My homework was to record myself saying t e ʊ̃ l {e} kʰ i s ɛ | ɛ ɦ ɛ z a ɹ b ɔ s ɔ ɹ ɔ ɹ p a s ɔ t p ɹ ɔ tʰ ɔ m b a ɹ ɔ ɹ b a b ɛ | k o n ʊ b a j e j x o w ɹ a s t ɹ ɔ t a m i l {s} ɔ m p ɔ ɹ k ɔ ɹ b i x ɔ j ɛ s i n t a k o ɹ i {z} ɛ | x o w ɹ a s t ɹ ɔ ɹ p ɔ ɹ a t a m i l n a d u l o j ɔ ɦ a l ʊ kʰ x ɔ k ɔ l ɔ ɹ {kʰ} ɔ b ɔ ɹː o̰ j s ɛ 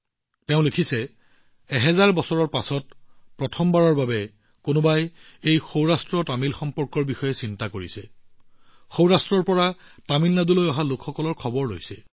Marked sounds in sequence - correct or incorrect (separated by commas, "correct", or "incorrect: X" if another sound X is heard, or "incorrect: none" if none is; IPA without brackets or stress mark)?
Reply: correct, incorrect: x, incorrect: s, correct